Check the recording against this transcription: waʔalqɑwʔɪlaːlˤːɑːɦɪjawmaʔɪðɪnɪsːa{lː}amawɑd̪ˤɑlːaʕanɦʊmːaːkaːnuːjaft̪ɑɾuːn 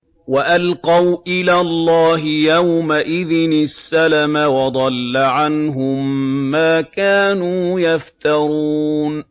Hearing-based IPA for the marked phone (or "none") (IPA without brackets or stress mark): l